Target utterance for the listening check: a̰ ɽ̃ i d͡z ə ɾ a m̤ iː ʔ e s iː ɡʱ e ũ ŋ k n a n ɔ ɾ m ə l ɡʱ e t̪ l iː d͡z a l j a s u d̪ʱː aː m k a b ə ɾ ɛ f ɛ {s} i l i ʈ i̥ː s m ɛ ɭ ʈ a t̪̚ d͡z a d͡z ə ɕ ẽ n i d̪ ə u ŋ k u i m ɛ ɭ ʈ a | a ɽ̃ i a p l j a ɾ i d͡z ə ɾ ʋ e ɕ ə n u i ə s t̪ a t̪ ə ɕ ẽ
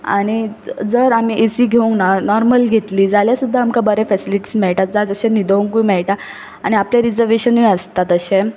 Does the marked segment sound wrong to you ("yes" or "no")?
no